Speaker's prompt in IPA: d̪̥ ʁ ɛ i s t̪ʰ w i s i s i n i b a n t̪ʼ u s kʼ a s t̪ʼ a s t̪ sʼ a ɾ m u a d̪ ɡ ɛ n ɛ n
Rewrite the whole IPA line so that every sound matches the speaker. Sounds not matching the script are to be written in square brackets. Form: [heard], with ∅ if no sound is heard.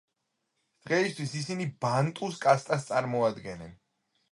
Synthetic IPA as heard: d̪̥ ʁ ɛ i s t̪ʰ w i s i s i n i b a n t̪ʼ u s kʼ a s t̪ʼ a s t̪ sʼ a ɾ m [ɔ] a d̪ ɡ ɛ n ɛ n